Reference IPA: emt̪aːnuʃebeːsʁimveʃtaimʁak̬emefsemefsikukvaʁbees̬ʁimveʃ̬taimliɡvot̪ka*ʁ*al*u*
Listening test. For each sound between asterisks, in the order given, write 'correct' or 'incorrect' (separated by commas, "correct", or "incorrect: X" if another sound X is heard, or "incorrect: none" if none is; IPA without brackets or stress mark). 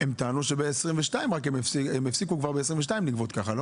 incorrect: χ, incorrect: o